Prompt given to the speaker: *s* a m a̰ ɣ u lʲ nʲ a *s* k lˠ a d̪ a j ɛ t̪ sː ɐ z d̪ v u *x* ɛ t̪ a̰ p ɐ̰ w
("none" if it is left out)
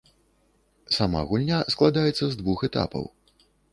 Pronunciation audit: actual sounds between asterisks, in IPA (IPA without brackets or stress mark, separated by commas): s, s, x